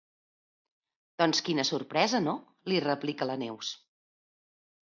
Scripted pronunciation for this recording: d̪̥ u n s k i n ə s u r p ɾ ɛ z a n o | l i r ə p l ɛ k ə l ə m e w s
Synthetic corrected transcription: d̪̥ ɔ n s k i n ə s u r p ɾ ɛ z ə n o | l i r ə p l i k ə l ə n e w s